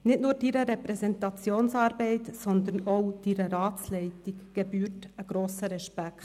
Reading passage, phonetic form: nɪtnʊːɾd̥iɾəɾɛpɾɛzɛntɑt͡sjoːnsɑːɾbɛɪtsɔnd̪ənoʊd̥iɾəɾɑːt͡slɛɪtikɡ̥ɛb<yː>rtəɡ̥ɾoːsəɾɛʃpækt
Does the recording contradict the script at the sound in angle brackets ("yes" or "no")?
no